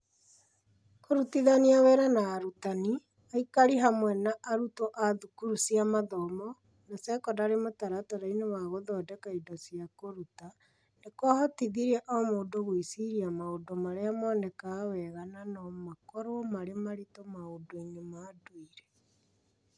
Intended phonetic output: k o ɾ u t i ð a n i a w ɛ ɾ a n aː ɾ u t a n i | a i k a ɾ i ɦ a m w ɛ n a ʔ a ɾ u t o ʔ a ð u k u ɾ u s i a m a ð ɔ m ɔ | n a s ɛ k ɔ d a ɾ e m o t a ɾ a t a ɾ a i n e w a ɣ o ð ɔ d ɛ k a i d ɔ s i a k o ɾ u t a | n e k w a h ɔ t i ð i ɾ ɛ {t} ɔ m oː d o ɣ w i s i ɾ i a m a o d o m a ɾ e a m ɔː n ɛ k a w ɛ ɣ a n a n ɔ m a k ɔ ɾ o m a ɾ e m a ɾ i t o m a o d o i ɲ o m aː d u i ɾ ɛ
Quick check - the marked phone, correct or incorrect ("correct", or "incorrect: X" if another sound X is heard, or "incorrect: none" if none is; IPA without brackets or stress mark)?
incorrect: ʔ